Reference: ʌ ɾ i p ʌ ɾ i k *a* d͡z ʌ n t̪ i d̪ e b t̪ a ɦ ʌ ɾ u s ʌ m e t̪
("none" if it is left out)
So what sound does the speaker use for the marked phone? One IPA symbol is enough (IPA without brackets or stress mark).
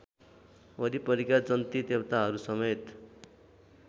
a